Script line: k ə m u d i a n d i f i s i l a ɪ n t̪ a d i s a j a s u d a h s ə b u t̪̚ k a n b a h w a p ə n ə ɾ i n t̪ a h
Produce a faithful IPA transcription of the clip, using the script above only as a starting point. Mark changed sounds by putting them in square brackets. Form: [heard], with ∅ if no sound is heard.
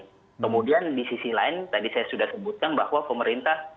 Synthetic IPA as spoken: k ə m u d i a n d i [s] i s i l a ɪ n t̪ a d i s a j a s u d a h s ə b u t̪̚ k a n b a h w a p ə [m] ə ɾ i n t̪ a h